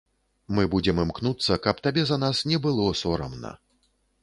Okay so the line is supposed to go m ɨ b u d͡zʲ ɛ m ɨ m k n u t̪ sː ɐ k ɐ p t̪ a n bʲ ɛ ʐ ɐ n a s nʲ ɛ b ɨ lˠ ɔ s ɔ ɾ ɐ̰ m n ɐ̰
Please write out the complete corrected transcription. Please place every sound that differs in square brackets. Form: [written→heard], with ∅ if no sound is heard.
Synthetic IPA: m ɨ b u d͡zʲ ɛ m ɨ m k n u t̪ sː ɐ k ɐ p t̪ a [n→∅] bʲ ɛ [ʐ→z] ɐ n a s nʲ ɛ b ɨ lˠ ɔ s ɔ ɾ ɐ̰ m n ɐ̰